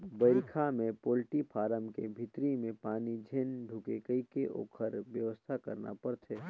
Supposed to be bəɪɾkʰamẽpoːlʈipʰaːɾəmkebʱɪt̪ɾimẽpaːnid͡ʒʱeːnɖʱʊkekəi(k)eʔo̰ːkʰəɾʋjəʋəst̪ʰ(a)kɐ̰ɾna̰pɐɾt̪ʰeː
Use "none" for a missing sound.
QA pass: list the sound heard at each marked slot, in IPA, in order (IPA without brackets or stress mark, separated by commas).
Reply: k, a